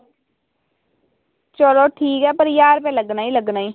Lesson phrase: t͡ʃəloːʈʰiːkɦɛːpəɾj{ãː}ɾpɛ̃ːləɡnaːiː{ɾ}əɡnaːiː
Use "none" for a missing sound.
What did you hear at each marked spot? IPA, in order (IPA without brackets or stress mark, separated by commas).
aː, l